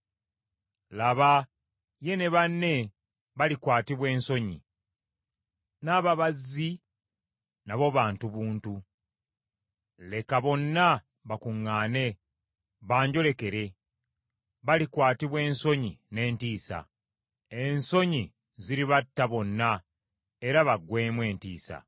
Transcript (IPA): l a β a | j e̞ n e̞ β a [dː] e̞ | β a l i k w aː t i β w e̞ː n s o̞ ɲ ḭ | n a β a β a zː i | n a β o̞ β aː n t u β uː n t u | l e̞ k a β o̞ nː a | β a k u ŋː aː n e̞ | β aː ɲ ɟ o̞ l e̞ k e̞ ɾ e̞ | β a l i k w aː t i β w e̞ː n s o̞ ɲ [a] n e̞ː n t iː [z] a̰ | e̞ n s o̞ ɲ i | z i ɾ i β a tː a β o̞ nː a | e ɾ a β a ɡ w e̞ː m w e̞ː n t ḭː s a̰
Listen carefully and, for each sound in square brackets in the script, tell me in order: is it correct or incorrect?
incorrect, incorrect, incorrect

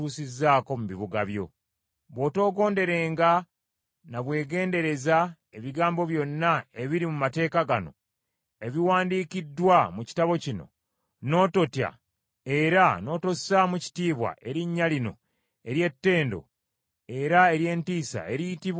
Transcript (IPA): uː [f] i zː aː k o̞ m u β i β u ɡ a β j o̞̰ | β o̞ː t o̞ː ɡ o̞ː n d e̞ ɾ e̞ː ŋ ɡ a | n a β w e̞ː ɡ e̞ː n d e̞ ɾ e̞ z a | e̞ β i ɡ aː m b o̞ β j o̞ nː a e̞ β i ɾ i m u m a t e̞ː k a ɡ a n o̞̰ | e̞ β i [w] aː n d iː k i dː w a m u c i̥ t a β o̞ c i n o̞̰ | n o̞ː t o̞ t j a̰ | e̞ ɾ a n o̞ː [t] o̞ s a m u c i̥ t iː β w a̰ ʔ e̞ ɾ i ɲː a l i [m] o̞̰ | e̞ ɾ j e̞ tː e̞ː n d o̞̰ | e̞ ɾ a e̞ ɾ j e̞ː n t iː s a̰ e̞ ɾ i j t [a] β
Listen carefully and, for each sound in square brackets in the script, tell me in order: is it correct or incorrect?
incorrect, correct, correct, incorrect, incorrect

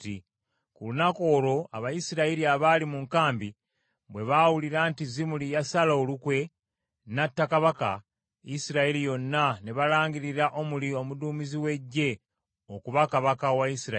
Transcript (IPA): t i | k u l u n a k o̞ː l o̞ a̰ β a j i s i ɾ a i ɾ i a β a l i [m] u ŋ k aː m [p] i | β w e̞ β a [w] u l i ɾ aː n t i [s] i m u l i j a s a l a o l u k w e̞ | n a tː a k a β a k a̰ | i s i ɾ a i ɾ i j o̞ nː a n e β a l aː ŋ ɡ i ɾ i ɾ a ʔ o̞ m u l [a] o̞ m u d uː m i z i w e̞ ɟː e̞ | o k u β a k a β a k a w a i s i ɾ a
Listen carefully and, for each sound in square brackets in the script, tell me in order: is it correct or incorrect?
correct, incorrect, correct, incorrect, incorrect

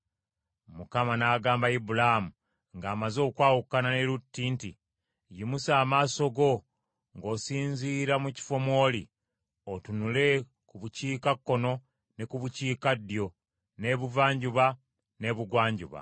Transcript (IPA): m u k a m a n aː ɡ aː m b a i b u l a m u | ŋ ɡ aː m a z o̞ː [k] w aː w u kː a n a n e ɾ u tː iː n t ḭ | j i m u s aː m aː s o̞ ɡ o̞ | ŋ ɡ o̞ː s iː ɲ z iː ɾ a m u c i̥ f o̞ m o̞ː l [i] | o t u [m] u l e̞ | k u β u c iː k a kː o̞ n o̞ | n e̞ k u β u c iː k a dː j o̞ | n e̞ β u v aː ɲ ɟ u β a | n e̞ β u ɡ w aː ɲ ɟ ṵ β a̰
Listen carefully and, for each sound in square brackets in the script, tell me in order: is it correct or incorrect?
correct, correct, incorrect

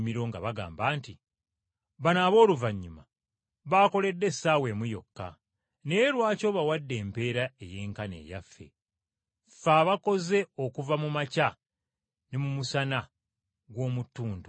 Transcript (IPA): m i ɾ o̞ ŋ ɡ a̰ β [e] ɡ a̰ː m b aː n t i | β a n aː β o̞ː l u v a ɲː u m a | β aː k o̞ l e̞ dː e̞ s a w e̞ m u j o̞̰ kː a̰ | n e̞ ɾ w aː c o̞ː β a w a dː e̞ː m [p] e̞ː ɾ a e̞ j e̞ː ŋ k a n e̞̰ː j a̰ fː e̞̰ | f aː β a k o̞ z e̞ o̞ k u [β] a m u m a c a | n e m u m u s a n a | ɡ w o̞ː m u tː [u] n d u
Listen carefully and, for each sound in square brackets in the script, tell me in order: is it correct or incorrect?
incorrect, correct, incorrect, incorrect

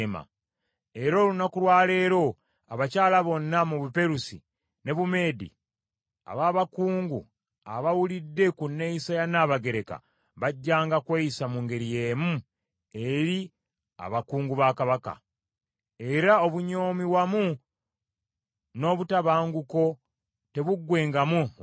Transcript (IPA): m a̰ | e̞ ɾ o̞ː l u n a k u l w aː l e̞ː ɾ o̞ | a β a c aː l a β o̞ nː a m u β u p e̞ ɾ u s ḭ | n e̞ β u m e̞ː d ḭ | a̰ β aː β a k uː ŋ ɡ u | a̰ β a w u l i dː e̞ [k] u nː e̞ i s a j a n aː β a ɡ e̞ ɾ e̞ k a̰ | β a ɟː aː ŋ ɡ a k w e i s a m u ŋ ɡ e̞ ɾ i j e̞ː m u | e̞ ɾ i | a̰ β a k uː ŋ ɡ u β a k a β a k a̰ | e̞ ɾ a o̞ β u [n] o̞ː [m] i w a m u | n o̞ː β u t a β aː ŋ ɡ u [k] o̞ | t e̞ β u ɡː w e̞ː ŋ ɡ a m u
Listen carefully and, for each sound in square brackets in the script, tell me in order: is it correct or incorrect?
correct, incorrect, correct, correct

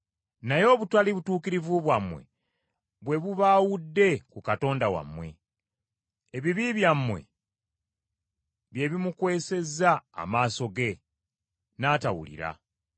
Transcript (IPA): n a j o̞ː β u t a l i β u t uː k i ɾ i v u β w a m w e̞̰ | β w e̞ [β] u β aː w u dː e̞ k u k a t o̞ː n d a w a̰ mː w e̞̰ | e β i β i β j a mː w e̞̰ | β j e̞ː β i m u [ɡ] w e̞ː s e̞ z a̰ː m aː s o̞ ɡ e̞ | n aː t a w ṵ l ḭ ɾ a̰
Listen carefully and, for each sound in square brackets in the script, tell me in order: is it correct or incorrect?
correct, incorrect

